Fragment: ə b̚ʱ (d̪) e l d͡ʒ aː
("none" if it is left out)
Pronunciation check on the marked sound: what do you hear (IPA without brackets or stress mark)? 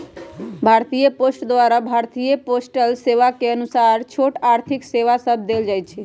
d̪